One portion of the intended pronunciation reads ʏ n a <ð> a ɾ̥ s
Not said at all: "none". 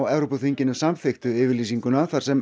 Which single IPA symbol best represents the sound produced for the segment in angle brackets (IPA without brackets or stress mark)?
θ